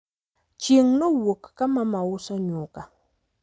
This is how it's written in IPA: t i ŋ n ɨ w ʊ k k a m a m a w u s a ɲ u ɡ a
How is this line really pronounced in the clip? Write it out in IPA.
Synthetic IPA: t͡ʃ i ŋ n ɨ w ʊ k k a m a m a w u s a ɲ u k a